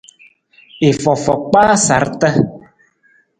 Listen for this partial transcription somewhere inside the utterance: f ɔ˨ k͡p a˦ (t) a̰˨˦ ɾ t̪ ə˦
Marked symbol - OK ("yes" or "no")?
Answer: no